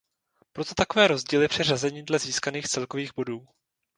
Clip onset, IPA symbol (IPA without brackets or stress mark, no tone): p